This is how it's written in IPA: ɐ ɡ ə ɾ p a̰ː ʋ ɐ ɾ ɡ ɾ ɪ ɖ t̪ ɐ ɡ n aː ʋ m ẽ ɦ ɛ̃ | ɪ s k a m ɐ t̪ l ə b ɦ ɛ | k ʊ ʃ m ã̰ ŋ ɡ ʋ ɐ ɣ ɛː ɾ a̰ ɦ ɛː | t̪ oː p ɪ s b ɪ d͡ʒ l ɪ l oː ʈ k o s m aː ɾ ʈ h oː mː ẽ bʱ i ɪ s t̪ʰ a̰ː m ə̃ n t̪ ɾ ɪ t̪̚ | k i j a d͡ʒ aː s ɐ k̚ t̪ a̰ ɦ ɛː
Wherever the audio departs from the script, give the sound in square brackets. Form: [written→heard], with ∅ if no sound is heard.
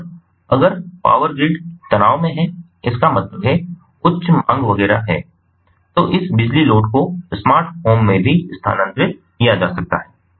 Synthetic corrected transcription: ɐ ɡ ə ɾ p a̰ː ʋ [ɐ→ə] ɾ ɡ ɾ ɪ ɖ t̪ ɐ [ɡ→∅] n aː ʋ m ẽ ɦ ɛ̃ | ɪ s k a m ɐ t̪ l ə b ɦ ɛ | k ʊ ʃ m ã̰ ŋ ɡ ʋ ɐ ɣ ɛː ɾ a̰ ɦ ɛː | t̪ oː [p→ʔ] ɪ s b ɪ d͡ʒ l [ɪ→i] l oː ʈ k o s m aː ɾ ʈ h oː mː ẽ bʱ i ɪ s t̪ʰ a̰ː [m→n] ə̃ n t̪ ɾ ɪ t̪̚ | k i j a d͡ʒ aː s ɐ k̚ t̪ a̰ ɦ ɛː